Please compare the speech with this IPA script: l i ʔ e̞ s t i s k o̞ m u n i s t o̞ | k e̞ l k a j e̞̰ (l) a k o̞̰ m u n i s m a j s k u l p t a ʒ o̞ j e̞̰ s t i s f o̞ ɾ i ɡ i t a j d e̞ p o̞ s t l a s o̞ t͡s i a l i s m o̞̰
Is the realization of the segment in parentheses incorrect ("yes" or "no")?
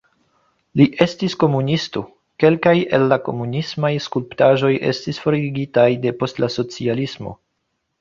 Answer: yes